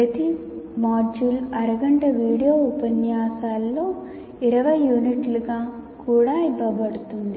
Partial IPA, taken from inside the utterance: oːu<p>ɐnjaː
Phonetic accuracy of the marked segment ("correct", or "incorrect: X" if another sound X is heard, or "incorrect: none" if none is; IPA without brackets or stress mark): correct